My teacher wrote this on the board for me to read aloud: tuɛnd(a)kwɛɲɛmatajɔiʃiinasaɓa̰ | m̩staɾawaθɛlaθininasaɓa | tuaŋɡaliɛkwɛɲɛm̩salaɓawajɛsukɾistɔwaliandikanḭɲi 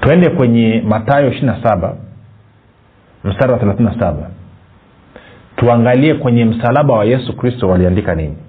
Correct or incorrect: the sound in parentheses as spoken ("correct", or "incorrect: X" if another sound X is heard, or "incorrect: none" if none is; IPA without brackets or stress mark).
incorrect: ɛ